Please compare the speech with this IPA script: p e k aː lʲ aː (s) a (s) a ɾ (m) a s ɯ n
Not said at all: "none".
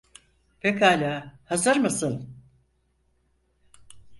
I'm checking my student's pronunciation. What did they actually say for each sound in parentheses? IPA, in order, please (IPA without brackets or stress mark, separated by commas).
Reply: h, z, m